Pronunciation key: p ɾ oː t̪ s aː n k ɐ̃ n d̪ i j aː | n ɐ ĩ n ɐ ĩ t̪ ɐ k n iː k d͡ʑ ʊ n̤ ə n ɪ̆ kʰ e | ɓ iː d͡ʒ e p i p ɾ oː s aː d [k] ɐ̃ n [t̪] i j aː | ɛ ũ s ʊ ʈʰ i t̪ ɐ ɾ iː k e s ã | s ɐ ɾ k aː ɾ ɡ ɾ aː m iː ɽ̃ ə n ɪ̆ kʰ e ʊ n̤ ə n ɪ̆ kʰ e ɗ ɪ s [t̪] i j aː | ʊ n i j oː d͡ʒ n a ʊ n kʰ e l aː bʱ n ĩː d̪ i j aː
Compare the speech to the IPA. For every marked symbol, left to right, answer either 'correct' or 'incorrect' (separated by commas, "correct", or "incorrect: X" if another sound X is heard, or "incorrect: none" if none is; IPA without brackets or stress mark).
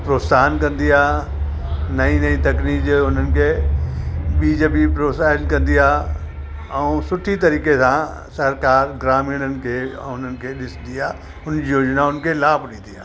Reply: correct, incorrect: d̪, incorrect: d̪